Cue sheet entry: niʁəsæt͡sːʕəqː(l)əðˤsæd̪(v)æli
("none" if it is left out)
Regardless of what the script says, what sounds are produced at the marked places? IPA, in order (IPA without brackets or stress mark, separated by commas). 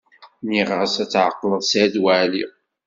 l, w